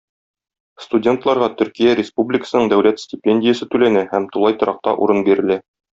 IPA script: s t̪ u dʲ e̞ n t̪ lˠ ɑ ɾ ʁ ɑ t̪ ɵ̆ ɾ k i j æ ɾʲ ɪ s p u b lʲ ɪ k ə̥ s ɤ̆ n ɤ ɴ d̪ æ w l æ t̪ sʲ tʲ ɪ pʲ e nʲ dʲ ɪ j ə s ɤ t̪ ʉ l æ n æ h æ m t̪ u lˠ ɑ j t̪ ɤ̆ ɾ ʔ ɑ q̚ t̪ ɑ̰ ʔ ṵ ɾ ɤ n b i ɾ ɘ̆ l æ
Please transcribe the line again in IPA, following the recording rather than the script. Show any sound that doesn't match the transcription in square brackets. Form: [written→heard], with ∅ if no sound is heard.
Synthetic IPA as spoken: s t̪ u dʲ e̞ n t̪ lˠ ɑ ɾ ʁ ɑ t̪ ɵ̆ ɾ k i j æ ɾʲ ɪ s p u b lʲ ɪ k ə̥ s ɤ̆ n ɤ ɴ d̪ æ w l æ t̪ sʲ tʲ ɪ pʲ e nʲ dʲ ɪ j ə s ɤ t̪ ʉ l æ n æ h æ m t̪ u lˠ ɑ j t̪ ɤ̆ ɾ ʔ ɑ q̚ t̪ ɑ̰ ʔ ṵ ɾ ɤ n b i ɾ ɘ̆ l æ